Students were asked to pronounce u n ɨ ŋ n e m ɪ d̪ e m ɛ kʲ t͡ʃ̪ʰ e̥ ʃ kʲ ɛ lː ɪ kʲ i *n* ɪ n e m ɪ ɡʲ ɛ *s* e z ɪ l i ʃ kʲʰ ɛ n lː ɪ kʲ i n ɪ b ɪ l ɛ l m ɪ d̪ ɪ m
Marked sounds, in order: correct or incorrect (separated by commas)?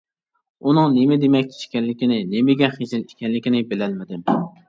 correct, incorrect